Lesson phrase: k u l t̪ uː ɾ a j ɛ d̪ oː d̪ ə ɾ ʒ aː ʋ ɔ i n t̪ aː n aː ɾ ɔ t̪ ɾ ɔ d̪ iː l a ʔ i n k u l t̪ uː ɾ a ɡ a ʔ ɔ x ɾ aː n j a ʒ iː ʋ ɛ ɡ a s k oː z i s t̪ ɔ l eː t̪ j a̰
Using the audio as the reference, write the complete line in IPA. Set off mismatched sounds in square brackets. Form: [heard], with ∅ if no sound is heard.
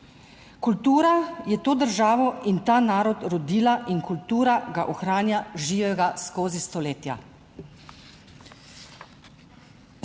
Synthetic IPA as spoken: k u l t̪ uː ɾ a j ɛ [t̪] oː d̪ ə ɾ ʒ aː ʋ ɔ i n t̪ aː n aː ɾ ɔ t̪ ɾ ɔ d̪ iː l a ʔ i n k u l t̪ uː ɾ a ɡ a ʔ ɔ x ɾ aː n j a ʒ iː ʋ ɛ ɡ a s k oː z i s t̪ ɔ l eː t̪ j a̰